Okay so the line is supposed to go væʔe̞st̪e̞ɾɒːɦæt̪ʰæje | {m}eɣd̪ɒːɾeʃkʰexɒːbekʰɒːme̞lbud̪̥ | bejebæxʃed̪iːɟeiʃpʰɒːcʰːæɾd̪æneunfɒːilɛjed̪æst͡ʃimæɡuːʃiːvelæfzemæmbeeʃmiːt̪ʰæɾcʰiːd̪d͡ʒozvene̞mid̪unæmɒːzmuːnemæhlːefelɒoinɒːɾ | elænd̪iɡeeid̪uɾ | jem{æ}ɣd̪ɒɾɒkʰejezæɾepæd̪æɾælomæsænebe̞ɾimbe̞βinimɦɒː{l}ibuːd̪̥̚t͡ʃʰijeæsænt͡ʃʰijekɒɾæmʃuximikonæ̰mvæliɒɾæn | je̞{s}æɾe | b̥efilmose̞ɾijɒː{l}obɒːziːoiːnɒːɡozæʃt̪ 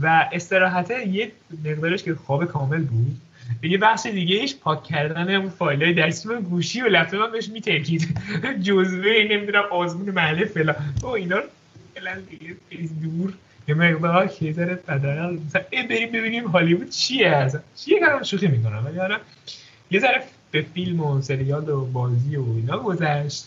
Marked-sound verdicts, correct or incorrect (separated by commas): correct, incorrect, correct, incorrect, correct